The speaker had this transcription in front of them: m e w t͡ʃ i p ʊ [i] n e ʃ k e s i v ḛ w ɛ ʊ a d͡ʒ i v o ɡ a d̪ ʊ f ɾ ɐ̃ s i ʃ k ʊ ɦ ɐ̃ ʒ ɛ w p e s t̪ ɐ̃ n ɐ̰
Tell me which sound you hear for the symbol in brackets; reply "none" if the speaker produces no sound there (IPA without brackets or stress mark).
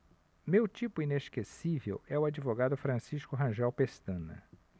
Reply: i